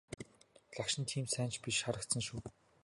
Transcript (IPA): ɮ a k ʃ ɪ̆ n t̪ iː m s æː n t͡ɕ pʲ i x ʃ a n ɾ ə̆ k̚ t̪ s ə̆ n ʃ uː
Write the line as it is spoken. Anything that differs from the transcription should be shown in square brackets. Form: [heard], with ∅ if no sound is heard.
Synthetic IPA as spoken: ɮ a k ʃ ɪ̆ n [t̪ʰ] iː m s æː n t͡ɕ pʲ i [ʃ] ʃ a [∅] ɾ ə̆ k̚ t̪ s ə̆ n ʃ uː